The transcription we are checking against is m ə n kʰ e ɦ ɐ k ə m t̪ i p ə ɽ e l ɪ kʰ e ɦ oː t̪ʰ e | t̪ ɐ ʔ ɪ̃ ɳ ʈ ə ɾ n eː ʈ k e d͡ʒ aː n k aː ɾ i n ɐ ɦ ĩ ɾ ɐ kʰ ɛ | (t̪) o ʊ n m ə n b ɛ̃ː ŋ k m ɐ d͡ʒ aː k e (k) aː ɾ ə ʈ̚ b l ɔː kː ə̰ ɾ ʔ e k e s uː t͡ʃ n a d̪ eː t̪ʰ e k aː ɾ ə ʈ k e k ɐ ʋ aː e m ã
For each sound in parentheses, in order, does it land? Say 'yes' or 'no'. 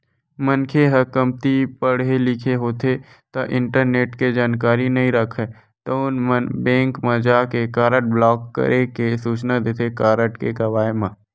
yes, yes

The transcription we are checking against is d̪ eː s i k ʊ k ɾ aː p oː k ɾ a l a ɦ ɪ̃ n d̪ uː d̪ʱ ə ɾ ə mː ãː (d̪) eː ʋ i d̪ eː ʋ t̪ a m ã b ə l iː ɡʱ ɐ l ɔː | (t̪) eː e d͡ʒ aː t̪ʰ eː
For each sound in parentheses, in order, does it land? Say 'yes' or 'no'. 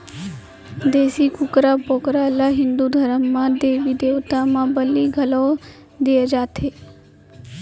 yes, no

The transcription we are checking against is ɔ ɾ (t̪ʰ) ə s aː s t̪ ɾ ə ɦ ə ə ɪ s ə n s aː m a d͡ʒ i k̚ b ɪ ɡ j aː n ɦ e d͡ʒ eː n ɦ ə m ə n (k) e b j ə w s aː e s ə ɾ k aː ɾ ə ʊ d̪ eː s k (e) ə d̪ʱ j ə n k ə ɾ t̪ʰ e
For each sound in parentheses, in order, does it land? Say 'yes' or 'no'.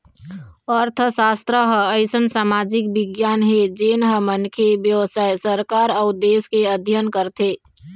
yes, no, yes

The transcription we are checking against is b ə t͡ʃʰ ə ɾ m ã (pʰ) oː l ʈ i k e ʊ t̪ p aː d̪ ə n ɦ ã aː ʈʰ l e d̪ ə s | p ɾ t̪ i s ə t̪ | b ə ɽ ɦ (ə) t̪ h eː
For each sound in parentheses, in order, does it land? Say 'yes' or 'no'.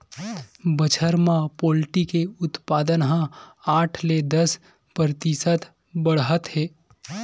no, yes

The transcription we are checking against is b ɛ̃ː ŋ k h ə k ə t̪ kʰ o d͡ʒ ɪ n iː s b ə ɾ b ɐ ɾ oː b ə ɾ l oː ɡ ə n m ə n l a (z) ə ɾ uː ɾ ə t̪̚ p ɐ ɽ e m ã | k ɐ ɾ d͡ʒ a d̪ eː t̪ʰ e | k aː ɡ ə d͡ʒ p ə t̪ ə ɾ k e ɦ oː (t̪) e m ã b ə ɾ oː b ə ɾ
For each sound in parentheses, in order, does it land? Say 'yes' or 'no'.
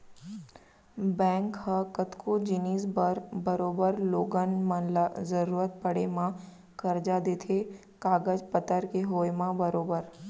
yes, no

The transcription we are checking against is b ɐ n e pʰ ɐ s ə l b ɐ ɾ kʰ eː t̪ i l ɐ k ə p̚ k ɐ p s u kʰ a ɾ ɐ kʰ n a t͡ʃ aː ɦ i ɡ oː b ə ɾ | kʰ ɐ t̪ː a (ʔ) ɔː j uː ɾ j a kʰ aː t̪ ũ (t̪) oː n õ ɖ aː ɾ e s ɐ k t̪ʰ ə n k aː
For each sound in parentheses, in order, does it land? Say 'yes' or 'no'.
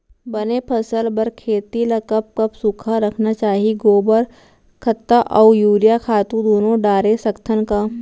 yes, no

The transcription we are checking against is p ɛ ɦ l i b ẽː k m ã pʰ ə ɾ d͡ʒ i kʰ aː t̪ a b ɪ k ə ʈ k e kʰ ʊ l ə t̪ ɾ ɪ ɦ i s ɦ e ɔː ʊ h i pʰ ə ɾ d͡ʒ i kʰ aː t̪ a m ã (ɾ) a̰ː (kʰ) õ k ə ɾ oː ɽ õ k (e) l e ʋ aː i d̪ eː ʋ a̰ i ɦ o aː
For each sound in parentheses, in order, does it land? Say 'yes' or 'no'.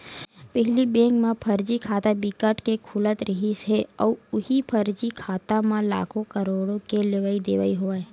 no, yes, yes

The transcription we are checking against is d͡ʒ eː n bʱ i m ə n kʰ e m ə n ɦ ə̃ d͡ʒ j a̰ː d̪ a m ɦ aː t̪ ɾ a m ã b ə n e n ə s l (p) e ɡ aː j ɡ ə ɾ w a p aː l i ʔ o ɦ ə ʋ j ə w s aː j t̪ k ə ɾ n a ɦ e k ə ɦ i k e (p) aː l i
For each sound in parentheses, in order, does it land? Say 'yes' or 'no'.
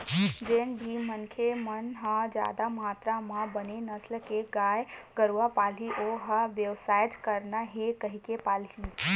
no, yes

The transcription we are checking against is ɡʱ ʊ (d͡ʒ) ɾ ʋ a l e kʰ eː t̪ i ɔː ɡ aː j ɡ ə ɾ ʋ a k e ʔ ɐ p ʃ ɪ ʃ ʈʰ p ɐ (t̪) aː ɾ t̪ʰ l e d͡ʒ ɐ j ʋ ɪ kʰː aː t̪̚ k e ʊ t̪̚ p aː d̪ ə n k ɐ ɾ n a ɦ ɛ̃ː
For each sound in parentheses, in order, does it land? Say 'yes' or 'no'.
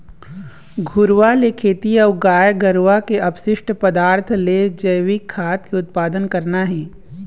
no, no

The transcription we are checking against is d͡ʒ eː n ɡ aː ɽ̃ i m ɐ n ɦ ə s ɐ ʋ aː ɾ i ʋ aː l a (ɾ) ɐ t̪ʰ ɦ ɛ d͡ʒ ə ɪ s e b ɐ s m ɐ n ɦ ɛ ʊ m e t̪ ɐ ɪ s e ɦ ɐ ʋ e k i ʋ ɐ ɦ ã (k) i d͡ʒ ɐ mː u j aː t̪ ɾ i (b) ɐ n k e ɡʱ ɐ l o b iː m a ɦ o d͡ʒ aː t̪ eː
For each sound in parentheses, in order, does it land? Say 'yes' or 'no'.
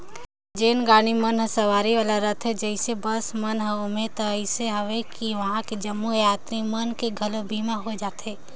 yes, yes, no

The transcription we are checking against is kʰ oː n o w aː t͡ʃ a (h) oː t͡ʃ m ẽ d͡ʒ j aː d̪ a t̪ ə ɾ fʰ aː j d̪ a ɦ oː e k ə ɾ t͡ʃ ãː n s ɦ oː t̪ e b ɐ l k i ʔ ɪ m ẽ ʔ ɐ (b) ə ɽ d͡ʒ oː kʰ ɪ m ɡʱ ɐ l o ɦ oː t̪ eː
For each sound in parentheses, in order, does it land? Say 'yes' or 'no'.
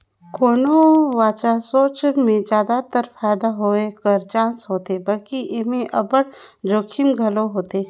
no, yes

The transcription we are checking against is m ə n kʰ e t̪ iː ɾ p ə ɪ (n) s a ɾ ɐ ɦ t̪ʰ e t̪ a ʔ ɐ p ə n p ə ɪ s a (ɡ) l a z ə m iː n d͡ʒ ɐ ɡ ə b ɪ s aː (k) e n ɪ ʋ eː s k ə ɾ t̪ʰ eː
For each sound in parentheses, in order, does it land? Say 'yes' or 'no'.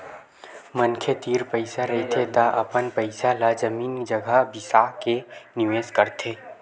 no, no, yes

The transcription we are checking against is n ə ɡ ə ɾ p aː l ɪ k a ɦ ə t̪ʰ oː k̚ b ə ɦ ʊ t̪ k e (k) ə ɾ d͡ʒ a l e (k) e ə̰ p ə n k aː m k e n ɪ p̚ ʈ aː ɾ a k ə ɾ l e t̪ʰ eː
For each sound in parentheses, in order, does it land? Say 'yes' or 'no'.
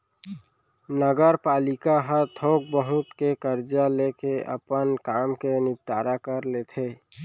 yes, yes

